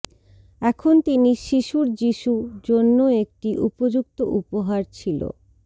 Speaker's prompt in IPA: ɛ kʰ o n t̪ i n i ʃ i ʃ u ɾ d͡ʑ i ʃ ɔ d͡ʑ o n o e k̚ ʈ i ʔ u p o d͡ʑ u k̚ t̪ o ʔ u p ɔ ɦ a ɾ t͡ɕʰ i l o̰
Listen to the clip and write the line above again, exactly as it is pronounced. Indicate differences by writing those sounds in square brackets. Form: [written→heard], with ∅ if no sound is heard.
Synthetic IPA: ɛ kʰ o n t̪ i n i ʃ i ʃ u ɾ d͡ʑ i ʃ [ɔ→u] d͡ʑ o [n→nː] o e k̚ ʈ i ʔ u p o d͡ʑ u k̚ t̪ o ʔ u p [ɔ→o] ɦ a ɾ t͡ɕʰ i l o̰